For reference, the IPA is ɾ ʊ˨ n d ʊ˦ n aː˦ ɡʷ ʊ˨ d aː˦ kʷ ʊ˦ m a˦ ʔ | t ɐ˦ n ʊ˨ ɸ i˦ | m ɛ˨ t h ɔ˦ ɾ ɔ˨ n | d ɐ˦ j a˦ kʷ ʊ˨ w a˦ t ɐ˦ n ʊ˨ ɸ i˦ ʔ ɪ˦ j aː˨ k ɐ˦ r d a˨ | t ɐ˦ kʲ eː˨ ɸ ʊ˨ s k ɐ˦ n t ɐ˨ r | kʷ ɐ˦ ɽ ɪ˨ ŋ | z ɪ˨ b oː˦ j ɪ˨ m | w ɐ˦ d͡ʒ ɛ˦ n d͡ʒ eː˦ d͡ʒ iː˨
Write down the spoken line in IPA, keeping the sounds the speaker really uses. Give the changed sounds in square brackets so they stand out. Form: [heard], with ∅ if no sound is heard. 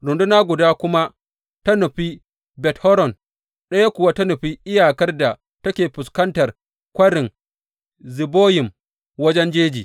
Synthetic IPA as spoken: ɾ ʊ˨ n d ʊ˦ n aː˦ ɡʷ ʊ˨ d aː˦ kʷ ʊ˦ m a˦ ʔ | t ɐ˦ n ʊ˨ ɸ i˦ | [b] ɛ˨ t h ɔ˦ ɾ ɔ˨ n | [ɗ] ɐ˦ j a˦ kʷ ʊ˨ w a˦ t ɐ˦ n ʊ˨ ɸ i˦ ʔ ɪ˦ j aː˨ k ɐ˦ r d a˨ | t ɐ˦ kʲ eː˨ ɸ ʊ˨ s k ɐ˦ n t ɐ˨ r | kʷ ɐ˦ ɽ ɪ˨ ŋ | z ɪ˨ b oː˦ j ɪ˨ m | w ɐ˦ d͡ʒ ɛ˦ n d͡ʒ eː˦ d͡ʒ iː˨

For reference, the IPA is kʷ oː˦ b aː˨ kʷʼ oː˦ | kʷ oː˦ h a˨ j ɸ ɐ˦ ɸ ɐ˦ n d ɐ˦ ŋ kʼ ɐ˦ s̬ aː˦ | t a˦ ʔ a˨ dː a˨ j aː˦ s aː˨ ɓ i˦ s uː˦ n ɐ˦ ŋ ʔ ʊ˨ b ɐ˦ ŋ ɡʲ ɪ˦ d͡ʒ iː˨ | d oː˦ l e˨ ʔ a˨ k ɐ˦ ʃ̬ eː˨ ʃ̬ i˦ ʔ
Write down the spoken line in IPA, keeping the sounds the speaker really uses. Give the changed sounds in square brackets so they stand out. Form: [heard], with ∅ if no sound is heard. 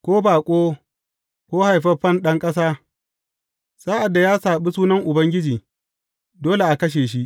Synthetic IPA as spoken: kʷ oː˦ b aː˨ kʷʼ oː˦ | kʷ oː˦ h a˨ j ɸ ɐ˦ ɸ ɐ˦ n [ɗ] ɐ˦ ŋ kʼ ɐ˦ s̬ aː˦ | [s] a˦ ʔ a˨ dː a˨ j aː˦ s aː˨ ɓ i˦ s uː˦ n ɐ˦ ŋ ʔ ʊ˨ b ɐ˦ ŋ ɡʲ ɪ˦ d͡ʒ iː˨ | d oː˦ l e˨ ʔ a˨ k ɐ˦ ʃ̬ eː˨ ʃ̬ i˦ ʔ

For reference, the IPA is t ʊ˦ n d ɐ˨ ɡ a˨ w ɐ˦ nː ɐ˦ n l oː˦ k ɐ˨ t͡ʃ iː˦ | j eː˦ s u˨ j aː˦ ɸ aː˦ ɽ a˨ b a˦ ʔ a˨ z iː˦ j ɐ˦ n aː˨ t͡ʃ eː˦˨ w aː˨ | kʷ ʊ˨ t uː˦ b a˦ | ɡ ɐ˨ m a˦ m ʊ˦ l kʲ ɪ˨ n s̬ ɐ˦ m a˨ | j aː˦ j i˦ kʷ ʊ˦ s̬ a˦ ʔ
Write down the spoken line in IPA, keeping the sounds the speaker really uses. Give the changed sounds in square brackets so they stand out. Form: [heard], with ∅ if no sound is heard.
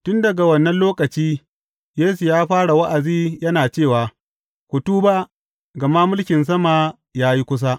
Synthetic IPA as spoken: t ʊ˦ n d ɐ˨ ɡ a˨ w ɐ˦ nː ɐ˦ n l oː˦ k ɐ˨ t͡ʃ iː˦ | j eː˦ s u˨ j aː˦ ɸ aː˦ ɽ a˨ [w] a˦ ʔ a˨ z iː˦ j ɐ˦ n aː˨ t͡ʃ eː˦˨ w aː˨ | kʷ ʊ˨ t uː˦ b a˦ | ɡ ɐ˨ m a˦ m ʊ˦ l kʲ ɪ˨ n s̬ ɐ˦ m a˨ | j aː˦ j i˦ kʷ ʊ˦ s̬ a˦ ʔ

